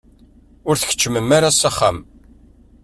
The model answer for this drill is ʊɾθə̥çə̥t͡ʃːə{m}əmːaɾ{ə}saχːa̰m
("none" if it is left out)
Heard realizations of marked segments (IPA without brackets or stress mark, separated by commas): m, a